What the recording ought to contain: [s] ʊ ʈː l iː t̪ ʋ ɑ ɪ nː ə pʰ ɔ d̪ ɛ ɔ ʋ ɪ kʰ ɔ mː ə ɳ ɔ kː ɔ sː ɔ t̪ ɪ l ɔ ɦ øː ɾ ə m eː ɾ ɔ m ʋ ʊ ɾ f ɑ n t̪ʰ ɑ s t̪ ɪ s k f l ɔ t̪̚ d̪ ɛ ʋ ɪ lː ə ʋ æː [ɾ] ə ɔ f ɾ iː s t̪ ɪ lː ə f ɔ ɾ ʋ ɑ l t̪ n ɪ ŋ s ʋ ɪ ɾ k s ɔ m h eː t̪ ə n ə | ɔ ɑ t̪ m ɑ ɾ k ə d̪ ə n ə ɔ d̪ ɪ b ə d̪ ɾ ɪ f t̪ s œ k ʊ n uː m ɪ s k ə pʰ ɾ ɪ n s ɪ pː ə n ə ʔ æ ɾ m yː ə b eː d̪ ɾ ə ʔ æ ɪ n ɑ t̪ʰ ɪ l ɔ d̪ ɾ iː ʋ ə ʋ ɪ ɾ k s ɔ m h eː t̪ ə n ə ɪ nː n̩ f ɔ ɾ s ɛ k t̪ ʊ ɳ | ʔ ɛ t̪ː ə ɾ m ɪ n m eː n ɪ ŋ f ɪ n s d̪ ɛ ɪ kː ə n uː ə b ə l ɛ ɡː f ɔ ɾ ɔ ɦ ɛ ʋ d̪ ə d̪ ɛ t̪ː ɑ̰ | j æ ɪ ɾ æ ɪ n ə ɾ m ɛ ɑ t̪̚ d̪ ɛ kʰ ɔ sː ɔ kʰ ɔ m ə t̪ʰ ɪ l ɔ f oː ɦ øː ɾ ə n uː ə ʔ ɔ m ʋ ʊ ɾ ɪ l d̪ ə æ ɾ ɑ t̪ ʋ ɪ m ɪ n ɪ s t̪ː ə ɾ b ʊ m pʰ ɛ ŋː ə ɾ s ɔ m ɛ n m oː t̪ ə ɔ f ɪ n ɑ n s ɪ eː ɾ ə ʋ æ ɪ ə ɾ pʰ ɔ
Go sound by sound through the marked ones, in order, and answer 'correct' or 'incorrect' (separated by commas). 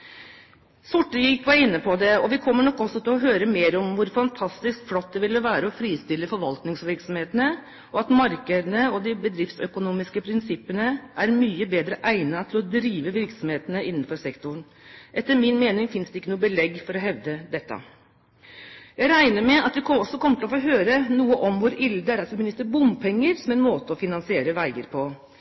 correct, correct